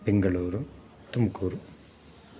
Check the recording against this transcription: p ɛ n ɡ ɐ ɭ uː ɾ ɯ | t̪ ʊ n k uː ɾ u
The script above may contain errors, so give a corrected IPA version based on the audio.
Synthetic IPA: p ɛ ŋ ɡ ɐ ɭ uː ɾ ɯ | t̪ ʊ m k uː ɾ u